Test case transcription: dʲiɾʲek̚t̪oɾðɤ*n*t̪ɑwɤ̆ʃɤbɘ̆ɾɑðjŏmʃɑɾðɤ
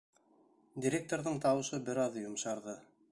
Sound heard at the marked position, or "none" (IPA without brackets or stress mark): ɴ